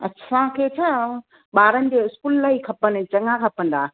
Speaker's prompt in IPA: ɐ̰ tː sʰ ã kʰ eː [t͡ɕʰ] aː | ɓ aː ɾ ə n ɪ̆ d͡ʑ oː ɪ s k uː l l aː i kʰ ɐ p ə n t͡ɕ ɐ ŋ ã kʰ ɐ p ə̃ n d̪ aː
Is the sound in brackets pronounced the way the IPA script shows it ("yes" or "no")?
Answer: yes